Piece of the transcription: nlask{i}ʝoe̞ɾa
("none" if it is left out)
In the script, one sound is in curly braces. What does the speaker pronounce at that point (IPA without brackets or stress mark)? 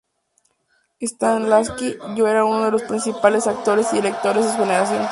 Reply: i